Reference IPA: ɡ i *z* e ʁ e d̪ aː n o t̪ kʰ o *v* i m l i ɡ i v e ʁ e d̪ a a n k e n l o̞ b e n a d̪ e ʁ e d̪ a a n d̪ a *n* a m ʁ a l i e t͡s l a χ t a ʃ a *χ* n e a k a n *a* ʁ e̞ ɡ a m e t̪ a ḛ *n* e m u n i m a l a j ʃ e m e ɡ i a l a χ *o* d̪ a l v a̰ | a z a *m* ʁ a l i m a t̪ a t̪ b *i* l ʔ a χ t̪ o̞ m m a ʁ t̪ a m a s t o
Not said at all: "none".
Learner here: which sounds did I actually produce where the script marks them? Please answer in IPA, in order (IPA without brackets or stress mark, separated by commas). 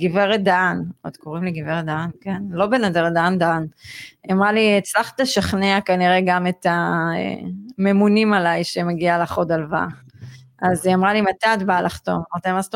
v, ʁ, n, χ, i, m, o, m, a